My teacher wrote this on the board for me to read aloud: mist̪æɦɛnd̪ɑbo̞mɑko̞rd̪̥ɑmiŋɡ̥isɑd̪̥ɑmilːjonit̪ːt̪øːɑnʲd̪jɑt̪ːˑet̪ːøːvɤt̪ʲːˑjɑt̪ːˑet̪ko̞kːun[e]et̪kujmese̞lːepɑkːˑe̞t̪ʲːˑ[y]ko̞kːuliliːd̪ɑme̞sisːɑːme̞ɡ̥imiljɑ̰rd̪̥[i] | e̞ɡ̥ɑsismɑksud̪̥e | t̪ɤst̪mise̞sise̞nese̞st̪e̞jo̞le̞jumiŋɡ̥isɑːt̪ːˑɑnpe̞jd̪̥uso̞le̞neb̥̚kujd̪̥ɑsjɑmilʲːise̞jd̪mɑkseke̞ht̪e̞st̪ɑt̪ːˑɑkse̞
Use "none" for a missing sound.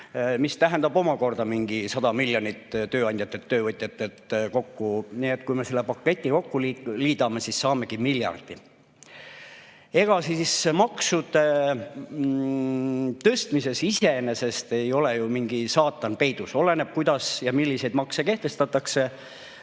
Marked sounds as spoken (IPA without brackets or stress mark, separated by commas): i, i, i